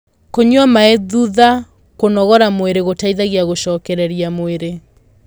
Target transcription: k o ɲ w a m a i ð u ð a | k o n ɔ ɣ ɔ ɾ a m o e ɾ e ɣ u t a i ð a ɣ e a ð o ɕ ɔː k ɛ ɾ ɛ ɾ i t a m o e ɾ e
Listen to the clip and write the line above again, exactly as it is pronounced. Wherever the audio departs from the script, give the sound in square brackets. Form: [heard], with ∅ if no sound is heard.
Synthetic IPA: k o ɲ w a m a [e] ð u ð a | k o n ɔ ɣ ɔ ɾ a m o e ɾ e ɣ [o] t a i ð a ɣ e a [ɣ] o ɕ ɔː k ɛ ɾ ɛ ɾ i [∅] a m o e ɾ e